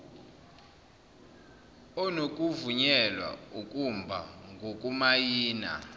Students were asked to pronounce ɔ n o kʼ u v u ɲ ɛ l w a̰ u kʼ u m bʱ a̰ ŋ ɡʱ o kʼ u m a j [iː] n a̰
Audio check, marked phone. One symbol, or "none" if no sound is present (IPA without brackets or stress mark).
iː